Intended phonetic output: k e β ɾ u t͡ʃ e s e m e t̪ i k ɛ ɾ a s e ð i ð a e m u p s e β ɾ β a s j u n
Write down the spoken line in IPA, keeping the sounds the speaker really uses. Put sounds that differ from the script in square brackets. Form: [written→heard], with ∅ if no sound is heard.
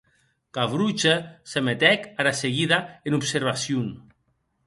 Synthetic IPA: k [e→a] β ɾ u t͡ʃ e s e m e t̪ [i→ɛ] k [ɛ→a] ɾ a s e [ð→ɣ] i ð a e [m→n] u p s e [β→∅] ɾ β a s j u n